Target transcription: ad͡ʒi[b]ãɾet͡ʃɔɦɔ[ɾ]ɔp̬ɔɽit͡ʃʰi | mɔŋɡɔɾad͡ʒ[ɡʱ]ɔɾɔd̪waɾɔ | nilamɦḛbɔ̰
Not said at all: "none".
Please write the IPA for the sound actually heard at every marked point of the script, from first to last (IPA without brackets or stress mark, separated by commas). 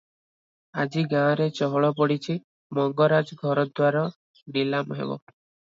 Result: ɡ, ɭ, ɡʱ